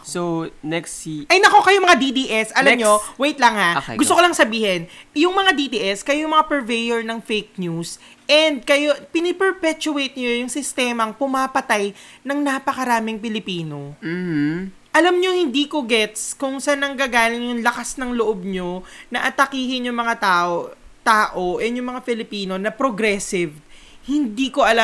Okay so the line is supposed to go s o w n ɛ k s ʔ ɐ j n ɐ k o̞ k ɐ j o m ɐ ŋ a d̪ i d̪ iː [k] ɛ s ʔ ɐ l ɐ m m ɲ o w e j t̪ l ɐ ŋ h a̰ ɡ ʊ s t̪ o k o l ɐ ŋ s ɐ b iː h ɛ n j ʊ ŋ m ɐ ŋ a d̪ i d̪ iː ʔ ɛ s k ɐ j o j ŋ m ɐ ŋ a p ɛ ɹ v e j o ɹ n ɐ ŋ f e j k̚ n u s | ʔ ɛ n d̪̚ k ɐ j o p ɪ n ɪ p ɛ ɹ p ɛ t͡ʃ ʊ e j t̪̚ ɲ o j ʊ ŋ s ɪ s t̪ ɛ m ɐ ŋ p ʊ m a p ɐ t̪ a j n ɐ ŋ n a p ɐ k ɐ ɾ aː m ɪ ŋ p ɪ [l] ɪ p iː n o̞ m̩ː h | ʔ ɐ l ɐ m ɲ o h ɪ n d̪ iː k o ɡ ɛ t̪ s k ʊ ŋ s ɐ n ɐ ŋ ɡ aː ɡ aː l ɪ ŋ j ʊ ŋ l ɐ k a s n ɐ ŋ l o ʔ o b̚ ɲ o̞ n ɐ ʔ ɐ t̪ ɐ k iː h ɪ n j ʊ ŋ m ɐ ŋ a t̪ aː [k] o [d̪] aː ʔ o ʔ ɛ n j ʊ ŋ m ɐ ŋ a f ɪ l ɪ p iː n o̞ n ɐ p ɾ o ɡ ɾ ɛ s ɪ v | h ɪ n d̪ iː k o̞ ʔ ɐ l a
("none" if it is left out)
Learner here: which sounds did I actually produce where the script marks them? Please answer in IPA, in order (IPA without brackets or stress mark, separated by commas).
ʔ, l, ʔ, t̪